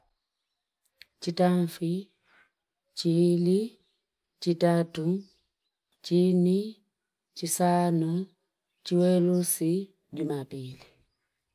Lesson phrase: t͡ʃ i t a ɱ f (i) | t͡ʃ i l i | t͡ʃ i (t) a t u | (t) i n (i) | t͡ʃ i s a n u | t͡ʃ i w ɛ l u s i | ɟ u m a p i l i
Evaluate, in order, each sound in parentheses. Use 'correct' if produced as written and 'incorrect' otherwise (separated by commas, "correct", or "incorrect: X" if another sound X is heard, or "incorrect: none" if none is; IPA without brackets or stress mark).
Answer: correct, correct, incorrect: t͡ʃ, correct